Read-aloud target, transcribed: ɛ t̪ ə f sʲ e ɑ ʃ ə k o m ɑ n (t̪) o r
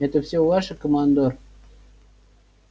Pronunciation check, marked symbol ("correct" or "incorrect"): incorrect